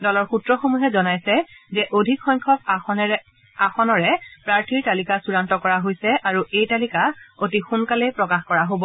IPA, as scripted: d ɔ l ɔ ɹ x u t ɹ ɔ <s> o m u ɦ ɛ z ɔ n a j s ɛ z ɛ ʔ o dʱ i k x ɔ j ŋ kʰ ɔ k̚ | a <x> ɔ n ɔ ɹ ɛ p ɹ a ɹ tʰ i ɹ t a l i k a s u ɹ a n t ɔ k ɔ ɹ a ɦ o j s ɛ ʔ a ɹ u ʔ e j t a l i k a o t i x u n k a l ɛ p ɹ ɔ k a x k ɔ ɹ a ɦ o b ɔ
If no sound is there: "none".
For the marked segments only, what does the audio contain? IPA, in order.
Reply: x, x

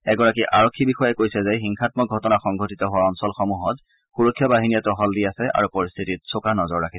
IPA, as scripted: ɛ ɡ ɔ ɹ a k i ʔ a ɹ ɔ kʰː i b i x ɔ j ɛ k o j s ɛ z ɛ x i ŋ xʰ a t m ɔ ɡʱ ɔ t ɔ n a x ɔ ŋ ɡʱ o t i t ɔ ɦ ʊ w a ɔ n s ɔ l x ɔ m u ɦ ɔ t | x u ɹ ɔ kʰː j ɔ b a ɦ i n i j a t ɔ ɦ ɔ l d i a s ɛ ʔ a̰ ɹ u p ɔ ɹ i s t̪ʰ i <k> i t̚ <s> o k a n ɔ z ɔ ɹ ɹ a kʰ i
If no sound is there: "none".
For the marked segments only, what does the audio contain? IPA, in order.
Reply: t, s

